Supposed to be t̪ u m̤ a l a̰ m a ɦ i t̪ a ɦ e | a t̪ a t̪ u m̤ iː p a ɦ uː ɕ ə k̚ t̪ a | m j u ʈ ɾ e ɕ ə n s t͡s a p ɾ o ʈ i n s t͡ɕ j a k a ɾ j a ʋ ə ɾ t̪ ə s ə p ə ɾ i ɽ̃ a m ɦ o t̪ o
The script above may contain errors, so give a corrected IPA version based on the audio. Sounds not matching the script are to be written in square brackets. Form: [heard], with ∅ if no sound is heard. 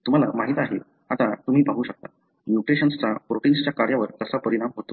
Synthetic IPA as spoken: t̪ u m̤ a l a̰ m a ɦ i t̪ a ɦ e | a t̪ a t̪ u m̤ iː p a ɦ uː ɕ ə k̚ t̪ a | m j u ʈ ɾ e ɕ ə n s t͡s a p ɾ o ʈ i n s t͡ɕ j a k a ɾ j a ʋ ə ɾ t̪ ə s [a] p ə ɾ i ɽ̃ a m ɦ o t̪ o